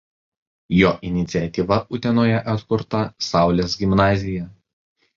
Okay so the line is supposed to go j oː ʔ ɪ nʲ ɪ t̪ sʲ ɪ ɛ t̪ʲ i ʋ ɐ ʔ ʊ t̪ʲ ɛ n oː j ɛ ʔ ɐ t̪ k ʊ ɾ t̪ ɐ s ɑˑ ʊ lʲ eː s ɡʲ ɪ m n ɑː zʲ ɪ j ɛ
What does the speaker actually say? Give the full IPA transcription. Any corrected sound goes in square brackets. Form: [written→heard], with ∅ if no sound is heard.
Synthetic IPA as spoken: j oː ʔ ɪ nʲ ɪ t̪ sʲ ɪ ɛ t̪ʲ i ʋ ɐ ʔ ʊ t̪ʲ ɛ n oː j ɛ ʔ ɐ t̪ k ʊ ɾ t̪ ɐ s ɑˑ ʊ lʲ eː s ɡʲ ɪ m n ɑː zʲ ɪ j ɛ